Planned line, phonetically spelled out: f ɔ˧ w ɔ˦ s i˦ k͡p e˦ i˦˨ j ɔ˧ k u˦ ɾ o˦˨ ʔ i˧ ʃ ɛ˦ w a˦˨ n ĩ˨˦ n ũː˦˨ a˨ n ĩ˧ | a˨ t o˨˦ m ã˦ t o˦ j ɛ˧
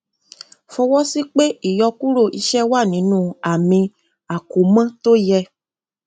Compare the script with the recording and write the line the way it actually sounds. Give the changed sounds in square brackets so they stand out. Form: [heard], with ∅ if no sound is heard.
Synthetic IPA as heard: f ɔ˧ w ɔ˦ s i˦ k͡p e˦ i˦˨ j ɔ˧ k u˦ ɾ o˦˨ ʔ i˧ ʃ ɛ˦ w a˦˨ n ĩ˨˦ n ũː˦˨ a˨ [m] ĩ˧ | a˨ [k] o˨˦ m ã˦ t o˦ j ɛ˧